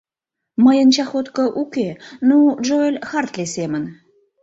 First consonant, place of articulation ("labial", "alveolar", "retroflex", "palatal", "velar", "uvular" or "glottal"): labial